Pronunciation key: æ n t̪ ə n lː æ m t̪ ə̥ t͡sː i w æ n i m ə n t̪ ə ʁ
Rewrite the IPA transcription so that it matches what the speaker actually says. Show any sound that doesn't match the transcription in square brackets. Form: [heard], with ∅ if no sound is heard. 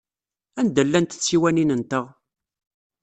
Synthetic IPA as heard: æ n [d̪] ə [∅] lː æ [n] t̪ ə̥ t͡sː i w æ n i [n] ə n t̪ ə ʁ